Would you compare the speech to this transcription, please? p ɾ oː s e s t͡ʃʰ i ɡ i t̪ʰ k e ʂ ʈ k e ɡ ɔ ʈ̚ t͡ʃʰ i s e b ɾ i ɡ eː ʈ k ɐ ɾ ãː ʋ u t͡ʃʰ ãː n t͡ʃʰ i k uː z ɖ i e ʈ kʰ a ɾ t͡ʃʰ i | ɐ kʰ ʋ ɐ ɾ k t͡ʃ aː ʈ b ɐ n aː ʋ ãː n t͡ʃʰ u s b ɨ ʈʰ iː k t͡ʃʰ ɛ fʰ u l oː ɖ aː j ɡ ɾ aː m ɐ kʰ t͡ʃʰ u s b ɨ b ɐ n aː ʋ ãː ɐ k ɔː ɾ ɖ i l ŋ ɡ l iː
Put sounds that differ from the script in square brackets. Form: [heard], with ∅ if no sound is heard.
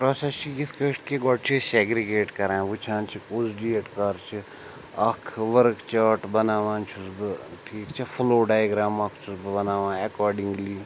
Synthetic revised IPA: p ɾ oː s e s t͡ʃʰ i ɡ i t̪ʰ k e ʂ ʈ k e ɡ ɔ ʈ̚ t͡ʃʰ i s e [ɡ] ɾ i ɡ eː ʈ k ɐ ɾ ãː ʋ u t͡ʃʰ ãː n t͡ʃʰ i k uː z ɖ i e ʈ [k] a ɾ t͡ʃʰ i | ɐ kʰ ʋ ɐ ɾ k t͡ʃ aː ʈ b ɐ n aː ʋ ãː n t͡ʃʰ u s b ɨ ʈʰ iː k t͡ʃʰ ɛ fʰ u l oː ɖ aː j ɡ ɾ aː m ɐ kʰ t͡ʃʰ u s b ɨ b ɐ n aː ʋ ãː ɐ k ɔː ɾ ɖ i [∅] ŋ ɡ l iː